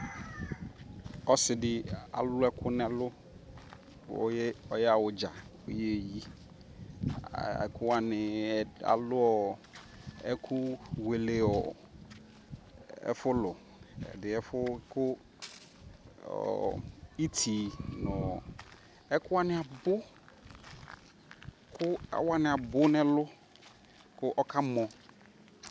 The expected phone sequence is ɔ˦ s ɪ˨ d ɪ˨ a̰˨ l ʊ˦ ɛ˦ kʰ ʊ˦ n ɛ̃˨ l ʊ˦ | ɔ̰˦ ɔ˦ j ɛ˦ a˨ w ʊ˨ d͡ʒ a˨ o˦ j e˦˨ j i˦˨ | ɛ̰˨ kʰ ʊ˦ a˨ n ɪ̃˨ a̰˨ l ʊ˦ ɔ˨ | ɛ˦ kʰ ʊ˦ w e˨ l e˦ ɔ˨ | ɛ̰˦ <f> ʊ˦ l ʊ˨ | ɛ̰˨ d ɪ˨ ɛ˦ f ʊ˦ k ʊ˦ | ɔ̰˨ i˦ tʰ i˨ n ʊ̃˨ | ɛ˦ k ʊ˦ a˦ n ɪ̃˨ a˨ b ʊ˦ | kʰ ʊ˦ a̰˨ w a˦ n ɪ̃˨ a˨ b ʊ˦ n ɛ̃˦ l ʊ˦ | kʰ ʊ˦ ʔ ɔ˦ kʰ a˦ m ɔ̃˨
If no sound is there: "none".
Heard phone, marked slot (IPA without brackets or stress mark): f